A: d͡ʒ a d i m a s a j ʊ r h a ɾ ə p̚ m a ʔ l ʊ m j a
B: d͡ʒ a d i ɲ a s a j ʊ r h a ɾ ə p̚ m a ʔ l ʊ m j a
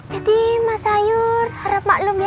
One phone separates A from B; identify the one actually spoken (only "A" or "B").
A